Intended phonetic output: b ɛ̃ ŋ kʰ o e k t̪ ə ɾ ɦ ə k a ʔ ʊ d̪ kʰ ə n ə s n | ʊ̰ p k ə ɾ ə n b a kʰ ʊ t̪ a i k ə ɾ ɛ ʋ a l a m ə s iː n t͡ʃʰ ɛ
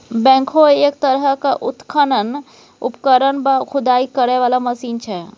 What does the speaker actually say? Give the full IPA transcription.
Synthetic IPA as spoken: b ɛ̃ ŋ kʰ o e k t̪ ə ɾ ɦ ə k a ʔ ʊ t̪ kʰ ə n ə n | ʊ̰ p k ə ɾ ə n b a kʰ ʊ d̪ a i k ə ɾ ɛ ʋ a l a m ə s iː n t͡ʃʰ ɛ